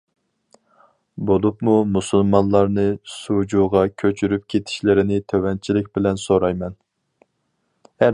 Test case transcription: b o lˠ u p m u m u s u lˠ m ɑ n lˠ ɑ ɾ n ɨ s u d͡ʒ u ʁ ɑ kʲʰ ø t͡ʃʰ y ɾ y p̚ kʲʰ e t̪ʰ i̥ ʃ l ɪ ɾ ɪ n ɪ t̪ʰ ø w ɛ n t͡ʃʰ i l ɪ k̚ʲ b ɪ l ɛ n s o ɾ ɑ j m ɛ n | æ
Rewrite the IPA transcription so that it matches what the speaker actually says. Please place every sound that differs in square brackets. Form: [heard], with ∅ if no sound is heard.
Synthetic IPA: b o lˠ u p m u m u s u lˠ m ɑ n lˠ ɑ ɾ n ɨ s u d͡ʒ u ʁ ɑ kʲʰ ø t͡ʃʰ y ɾ y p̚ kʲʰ e t̪ʰ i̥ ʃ l ɪ ɾ ɪ n ɪ t̪ʰ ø w ɛ n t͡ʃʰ i l ɪ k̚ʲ b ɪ l ɛ n s o ɾ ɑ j m ɛ n | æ